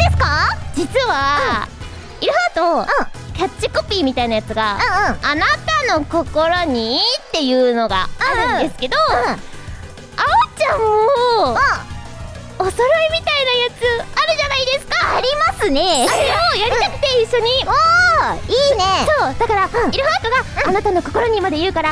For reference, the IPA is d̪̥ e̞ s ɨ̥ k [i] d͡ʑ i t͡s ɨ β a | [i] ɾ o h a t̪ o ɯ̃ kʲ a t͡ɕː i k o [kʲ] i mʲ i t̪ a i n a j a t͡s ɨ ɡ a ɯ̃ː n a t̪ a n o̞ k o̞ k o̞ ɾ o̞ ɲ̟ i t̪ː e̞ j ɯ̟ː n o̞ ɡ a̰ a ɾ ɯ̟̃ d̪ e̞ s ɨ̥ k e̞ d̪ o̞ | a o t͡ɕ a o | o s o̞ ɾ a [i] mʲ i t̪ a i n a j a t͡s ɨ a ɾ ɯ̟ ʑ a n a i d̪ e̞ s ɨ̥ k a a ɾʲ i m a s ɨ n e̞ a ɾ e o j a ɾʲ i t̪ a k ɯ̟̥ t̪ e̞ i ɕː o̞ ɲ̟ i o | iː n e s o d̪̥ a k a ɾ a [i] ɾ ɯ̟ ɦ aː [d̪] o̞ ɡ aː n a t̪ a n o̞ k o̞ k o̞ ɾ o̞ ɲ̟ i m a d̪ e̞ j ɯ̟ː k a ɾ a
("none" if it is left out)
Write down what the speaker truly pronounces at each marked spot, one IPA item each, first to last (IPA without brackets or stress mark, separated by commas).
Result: a, i, pʲ, i, i, t̪